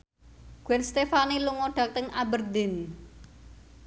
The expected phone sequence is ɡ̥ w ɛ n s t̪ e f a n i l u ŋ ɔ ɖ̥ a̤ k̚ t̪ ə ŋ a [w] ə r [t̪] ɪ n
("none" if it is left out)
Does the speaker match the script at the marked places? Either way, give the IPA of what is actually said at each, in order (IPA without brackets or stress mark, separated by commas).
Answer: b, d̪